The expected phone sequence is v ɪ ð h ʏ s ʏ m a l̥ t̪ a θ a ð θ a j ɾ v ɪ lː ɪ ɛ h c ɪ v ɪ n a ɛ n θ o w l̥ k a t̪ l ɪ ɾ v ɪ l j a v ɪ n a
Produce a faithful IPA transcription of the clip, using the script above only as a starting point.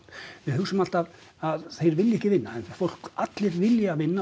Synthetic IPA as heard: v ɪ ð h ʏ s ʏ m a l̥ t̪ a ð a ð θ e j ɾ v ɪ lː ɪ ɛ h c ɪ v ɪ nː a ɛ n f o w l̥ k a t̪ l ɪ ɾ v ɪ l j a v ɪ nː a